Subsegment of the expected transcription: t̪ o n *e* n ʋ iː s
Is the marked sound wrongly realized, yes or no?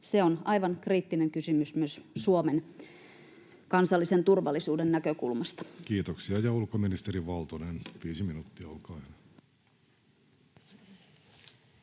no